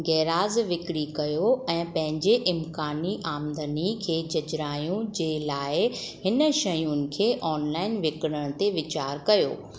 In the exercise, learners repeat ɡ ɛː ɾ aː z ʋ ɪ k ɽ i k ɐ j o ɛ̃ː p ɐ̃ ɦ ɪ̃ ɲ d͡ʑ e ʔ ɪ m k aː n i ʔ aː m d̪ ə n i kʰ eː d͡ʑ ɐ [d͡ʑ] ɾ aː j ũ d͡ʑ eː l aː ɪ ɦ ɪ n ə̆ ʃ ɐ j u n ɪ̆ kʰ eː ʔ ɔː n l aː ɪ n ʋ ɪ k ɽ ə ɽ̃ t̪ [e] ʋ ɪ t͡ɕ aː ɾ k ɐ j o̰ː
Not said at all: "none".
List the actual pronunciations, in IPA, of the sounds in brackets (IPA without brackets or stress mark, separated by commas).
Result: d͡ʑ, e